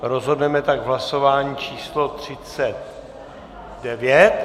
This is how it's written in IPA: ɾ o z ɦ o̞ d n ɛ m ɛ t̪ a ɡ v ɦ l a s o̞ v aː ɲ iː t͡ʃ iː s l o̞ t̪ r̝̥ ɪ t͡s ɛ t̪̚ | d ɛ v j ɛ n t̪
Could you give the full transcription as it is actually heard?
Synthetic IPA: ɾ o z ɦ o̞ d n ɛ m ɛ t̪ a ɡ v ɦ l a s o̞ v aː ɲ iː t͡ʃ iː s l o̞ t̪ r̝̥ ɪ t͡s ɛ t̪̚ | d ɛ v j ɛ t̪